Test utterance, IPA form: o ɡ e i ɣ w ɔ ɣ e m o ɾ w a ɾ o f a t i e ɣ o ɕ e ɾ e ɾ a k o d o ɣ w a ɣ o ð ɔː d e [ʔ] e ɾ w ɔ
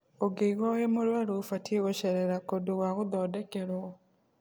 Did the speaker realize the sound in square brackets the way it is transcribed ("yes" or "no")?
no